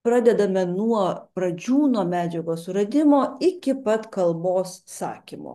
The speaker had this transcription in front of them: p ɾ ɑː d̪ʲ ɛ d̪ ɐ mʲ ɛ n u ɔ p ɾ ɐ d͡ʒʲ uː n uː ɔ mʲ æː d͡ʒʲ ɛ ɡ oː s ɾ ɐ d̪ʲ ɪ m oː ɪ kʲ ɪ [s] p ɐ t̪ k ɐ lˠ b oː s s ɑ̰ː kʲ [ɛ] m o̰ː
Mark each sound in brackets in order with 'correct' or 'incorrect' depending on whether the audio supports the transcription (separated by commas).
incorrect, incorrect